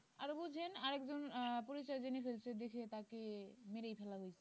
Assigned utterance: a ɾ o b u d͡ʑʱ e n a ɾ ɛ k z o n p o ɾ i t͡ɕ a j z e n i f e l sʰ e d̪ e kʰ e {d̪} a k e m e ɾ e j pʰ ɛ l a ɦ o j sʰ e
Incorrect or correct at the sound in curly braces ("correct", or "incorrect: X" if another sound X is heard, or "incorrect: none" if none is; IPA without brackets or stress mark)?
incorrect: t̪